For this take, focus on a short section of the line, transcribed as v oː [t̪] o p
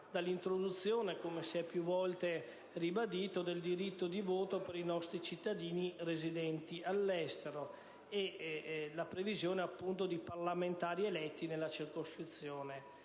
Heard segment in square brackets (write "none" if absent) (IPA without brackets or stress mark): t̪